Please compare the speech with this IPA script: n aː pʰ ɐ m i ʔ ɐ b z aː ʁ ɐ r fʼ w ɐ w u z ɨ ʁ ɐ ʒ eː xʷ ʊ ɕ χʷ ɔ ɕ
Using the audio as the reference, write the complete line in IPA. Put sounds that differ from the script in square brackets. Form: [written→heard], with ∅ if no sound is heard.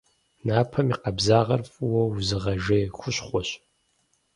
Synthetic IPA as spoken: n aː pʰ ɐ m i [ʔ→q] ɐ b z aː ʁ ɐ r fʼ w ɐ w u z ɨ ʁ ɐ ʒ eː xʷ ʊ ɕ χʷ ɔ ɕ